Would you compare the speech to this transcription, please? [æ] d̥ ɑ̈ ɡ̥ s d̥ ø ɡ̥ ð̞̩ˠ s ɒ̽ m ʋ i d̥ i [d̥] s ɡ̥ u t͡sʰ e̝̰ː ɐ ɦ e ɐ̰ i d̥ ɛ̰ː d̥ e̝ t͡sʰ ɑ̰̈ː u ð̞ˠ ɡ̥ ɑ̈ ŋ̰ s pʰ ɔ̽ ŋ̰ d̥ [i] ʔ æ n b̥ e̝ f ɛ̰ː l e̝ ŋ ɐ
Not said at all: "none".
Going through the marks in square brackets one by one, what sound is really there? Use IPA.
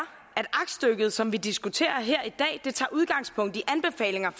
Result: æ, none, i

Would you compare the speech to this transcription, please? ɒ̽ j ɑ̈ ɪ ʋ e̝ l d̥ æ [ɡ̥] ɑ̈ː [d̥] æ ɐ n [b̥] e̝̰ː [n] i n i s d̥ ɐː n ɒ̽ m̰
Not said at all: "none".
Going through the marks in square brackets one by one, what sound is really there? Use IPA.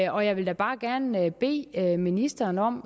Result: b̥, ɡ̥, b̥, m

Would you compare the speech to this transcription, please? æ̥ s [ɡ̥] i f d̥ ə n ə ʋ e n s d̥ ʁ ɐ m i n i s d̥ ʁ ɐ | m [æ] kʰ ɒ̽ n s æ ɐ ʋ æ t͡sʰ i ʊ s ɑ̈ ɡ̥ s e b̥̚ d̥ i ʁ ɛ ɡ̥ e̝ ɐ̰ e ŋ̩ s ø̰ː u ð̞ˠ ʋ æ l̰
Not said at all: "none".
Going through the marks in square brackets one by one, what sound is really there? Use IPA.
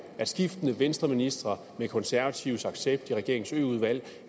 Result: ɡ̥, e

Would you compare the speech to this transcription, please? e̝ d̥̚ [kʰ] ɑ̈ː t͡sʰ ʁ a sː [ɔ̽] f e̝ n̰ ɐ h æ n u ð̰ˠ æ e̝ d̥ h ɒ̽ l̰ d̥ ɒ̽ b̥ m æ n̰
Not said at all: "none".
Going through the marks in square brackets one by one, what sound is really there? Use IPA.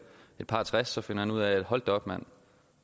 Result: pʰ, ɒ̽

